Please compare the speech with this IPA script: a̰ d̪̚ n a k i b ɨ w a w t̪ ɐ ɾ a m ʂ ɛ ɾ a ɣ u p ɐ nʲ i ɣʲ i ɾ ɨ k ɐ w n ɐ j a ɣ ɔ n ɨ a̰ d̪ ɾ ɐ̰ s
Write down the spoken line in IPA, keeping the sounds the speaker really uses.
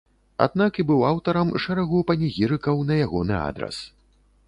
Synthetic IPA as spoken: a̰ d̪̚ n a k i b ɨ w a w t̪ ɐ ɾ ɐ m ʂ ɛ ɾ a ɣ u p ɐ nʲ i ɣʲ i ɾ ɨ k ɐ w n ɐ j a ɣ ɔ n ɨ a̰ d̪ ɾ ɐ̰ s